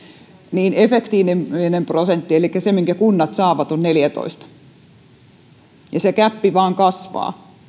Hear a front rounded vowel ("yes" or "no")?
no